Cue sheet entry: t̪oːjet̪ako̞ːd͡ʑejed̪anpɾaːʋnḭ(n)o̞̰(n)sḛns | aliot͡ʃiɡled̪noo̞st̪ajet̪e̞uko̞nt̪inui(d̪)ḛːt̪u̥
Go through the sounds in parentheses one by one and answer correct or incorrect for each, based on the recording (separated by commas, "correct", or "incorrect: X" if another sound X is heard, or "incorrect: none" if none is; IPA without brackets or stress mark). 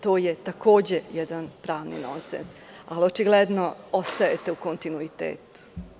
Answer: correct, correct, incorrect: t̪